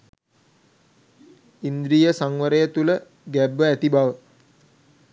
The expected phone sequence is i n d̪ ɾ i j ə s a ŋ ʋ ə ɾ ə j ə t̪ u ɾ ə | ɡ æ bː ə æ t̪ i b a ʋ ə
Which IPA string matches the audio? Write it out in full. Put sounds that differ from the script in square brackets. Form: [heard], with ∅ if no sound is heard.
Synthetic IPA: i n d̪ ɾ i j ə s a ŋ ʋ ə ɾ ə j ə t̪ u [l] ə | ɡ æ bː ə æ t̪ i b a ʋ ə